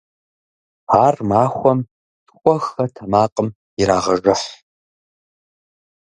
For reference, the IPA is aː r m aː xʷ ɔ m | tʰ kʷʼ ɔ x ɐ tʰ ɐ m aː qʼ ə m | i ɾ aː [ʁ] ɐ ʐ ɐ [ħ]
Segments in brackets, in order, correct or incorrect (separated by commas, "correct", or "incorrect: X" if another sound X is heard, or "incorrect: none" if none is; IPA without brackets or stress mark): correct, correct